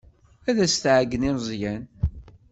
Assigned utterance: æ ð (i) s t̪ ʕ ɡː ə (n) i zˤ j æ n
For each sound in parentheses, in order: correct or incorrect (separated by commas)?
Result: incorrect, correct